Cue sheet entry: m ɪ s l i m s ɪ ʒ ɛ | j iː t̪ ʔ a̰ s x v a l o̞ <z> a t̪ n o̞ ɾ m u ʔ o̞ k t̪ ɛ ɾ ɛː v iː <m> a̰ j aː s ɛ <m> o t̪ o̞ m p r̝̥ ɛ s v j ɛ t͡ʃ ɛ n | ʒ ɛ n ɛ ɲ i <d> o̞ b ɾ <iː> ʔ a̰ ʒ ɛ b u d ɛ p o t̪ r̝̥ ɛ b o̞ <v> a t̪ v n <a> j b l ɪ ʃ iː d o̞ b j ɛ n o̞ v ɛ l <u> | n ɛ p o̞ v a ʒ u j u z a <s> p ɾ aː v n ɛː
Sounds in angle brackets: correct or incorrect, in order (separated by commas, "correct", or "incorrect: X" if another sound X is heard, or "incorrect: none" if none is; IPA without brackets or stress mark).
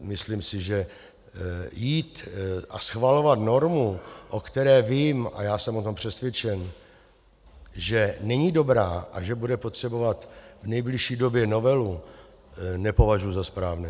incorrect: v, correct, correct, correct, incorrect: aː, correct, incorrect: ɛ, correct, correct